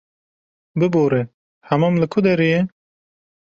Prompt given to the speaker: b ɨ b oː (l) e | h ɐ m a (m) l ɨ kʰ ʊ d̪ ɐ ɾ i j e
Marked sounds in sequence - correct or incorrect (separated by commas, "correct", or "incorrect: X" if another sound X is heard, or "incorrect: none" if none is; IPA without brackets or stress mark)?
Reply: incorrect: ɾ, correct